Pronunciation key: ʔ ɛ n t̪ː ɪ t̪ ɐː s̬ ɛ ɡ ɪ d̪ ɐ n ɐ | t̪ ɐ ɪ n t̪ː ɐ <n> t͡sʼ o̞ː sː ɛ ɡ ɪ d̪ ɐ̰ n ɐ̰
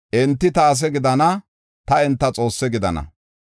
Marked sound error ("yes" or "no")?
yes